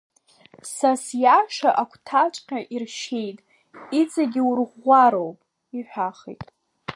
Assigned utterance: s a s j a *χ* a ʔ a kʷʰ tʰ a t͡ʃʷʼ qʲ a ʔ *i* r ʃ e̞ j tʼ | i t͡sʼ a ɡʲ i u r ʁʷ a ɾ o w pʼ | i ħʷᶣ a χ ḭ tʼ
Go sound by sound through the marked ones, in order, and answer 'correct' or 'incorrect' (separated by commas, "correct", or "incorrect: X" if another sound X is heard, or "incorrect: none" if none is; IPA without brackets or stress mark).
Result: incorrect: ʂ, correct